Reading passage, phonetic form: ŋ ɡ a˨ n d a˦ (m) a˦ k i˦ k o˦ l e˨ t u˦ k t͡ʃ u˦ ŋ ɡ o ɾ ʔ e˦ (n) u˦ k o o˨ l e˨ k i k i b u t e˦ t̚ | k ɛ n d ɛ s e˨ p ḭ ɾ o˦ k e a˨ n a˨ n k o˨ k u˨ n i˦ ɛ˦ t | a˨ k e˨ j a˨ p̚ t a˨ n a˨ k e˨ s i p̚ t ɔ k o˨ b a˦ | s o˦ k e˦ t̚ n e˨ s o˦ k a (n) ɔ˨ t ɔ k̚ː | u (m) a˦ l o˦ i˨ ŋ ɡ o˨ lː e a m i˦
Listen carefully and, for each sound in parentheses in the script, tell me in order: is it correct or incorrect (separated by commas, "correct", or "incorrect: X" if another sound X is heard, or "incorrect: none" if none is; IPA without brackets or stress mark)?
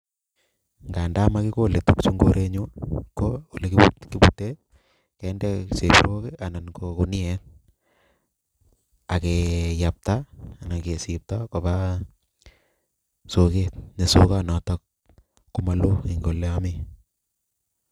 correct, incorrect: ɲ, correct, correct